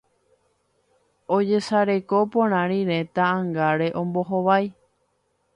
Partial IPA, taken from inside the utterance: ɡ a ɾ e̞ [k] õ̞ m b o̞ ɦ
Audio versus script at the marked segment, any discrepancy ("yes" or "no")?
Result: yes